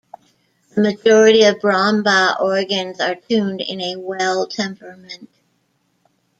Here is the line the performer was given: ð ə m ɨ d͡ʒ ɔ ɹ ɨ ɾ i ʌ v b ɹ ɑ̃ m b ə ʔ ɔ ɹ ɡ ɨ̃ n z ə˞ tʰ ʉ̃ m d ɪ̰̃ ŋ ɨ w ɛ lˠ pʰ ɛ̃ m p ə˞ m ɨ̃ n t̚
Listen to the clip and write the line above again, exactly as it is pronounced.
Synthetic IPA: ð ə m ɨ d͡ʒ ɔ ɹ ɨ ɾ i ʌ v b ɹ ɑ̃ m b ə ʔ ɔ ɹ ɡ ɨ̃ n z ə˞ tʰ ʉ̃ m d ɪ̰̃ n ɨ w ɛ lˠ tʰ ɛ̃ m p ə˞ m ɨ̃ n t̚